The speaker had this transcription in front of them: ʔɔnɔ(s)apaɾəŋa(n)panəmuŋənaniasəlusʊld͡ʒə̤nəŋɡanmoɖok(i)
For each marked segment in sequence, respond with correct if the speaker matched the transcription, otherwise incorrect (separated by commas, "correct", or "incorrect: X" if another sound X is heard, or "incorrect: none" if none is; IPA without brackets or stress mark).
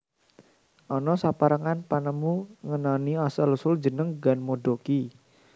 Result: correct, correct, correct